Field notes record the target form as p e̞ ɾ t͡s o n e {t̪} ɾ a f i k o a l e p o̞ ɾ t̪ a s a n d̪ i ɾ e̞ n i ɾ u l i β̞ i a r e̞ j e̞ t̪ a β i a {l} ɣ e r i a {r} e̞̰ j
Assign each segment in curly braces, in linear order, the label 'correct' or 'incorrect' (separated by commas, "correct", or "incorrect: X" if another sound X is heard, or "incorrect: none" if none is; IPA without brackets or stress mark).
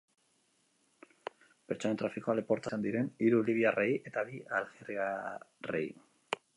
correct, correct, correct